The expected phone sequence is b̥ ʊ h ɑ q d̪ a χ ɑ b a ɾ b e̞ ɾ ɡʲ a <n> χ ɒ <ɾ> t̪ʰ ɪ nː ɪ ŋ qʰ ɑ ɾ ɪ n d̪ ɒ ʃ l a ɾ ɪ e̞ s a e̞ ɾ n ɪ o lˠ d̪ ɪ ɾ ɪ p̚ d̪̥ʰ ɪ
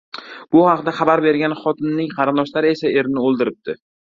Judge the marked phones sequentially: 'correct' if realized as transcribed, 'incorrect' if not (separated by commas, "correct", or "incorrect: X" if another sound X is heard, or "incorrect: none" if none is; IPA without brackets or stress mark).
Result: correct, incorrect: none